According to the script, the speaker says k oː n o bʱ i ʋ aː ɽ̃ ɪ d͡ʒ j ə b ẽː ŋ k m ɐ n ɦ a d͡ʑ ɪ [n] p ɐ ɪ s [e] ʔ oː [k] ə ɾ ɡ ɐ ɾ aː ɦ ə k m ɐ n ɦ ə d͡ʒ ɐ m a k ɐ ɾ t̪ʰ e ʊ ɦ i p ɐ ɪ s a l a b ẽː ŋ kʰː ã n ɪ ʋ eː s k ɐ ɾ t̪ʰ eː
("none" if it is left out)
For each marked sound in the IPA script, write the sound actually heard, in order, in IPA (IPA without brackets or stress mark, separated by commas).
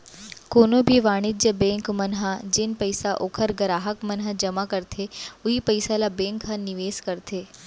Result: n, a, kʰ